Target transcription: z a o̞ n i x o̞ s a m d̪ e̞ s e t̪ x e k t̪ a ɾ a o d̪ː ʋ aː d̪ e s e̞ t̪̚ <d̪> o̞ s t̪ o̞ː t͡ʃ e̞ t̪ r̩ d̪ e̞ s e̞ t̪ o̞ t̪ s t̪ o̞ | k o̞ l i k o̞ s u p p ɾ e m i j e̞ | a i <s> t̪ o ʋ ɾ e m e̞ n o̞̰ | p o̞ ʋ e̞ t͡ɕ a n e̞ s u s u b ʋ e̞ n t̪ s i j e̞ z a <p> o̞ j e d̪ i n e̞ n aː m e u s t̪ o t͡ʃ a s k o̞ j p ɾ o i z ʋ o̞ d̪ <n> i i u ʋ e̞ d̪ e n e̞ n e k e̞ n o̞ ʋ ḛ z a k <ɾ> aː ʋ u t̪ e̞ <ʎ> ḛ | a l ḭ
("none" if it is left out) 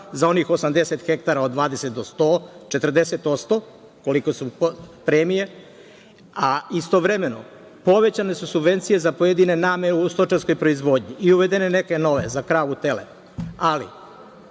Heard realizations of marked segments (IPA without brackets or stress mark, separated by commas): d̪, s, p, ɲ, ɾ, l